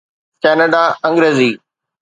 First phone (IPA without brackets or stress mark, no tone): k